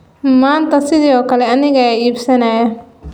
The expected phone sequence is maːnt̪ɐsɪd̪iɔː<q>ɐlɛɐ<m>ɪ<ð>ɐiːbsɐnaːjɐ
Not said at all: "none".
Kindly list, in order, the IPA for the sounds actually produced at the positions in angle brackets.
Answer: k, n, ɣ

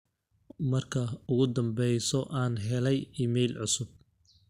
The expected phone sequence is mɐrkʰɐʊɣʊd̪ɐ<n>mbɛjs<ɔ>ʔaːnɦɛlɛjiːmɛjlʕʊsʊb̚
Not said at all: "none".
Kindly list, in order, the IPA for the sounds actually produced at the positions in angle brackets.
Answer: none, ɔ

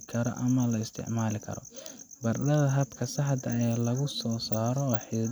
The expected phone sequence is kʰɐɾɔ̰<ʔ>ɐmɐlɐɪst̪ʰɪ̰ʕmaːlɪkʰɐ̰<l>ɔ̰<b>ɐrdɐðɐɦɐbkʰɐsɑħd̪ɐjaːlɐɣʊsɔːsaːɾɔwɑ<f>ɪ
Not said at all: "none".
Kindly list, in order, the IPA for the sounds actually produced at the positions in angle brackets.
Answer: ʔ, ɾ, b, ħ

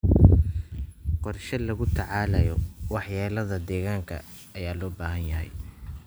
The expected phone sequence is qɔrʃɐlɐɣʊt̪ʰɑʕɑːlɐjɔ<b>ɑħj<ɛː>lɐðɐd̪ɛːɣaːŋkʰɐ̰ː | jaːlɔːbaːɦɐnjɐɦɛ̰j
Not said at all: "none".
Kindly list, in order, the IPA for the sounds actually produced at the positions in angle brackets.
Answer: w, aː

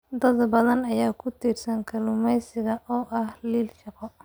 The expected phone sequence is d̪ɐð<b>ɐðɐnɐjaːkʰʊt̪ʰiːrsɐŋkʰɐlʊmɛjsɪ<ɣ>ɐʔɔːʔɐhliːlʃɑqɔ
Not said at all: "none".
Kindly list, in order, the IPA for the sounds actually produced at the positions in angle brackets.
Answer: b, ɣ

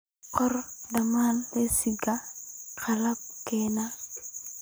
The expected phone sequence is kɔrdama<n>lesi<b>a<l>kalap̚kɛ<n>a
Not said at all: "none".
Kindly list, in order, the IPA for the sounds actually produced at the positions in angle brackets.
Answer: n, ɡ, none, n

